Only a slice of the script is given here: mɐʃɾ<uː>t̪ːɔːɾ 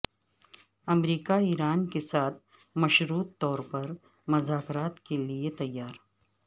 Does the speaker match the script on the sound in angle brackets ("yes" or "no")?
yes